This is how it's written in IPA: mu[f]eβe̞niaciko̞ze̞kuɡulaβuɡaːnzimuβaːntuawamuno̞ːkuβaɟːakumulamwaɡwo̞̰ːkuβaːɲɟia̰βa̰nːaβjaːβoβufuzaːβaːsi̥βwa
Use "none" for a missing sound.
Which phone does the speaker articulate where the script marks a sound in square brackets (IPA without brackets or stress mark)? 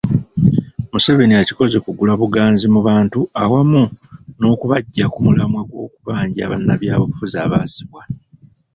s